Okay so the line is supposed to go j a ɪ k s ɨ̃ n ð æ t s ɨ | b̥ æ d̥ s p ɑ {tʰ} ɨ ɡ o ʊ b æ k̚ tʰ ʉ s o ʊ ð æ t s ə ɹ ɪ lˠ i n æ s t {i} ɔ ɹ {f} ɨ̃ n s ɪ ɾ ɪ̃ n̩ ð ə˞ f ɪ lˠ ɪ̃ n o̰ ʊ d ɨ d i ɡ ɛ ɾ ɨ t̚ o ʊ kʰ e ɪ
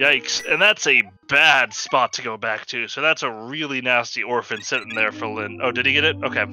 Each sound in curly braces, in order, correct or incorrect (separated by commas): correct, correct, correct